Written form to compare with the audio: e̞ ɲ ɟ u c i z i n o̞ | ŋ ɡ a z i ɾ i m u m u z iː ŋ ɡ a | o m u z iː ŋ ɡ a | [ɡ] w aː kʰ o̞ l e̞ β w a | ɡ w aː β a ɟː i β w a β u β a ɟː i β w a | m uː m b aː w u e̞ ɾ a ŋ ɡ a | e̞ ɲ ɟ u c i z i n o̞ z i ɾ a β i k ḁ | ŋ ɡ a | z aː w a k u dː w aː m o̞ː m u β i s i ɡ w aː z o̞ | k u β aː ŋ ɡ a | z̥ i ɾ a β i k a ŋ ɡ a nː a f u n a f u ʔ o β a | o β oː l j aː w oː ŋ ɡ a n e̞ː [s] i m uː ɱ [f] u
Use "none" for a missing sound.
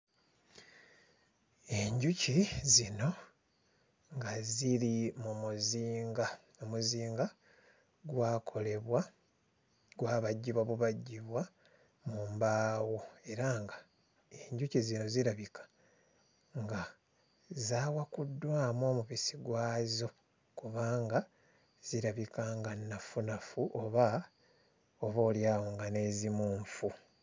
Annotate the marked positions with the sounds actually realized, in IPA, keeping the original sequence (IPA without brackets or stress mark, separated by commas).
ɡ, z, f